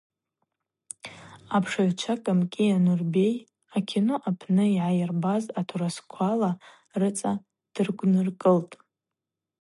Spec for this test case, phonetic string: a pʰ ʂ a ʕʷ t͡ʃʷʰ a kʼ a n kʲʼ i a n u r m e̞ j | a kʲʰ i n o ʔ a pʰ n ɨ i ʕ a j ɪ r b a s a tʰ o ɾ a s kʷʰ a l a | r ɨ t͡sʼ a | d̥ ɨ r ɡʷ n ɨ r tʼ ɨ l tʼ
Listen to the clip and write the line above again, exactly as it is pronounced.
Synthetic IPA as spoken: a pʰ ʂ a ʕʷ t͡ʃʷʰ a kʼ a m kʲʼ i a n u r b e̞ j | a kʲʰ i n o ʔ a pʰ n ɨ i ʕ a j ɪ r b a z a tʰ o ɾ a s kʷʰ a l a | r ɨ t͡sʼ a | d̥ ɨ r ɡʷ n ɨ r kʼ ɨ l tʼ